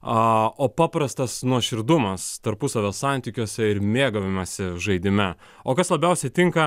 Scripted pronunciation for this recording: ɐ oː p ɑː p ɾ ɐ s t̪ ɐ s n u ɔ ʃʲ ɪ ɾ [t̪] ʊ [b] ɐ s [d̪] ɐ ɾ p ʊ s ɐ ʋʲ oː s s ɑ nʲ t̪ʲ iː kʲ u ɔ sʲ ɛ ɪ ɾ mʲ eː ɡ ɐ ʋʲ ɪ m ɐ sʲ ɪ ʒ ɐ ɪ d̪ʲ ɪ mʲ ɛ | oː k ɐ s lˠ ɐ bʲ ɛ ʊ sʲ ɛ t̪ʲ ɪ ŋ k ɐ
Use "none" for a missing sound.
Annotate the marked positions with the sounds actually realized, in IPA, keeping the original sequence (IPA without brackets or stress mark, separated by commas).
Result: d̪, m, t̪